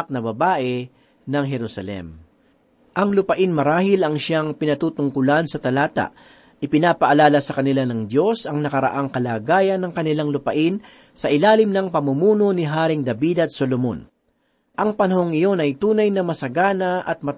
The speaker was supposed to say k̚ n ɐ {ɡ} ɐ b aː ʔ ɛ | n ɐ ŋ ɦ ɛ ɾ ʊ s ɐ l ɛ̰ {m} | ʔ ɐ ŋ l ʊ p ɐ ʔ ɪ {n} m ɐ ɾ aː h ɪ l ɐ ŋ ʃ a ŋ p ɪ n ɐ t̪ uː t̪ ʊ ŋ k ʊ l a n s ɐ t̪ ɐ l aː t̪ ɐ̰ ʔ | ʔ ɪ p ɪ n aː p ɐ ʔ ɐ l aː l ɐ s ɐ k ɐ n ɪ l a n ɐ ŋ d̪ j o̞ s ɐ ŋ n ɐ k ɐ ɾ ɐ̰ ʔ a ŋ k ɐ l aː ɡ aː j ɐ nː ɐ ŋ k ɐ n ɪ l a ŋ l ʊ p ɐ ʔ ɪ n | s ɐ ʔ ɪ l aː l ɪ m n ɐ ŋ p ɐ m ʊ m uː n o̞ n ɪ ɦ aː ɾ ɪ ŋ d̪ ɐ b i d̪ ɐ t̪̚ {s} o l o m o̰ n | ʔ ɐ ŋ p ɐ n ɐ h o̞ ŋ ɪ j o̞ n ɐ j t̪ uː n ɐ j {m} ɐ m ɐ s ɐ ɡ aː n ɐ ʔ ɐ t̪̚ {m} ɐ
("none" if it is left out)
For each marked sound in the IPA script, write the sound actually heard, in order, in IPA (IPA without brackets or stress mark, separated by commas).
b, m, n, s, n, m